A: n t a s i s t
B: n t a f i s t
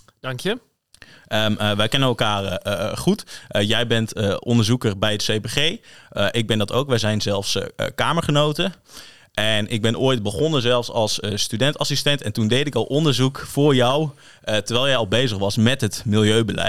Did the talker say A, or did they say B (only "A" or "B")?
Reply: A